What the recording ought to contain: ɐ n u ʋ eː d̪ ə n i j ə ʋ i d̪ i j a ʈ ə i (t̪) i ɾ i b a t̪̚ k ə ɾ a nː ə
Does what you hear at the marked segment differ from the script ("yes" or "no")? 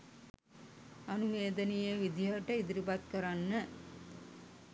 yes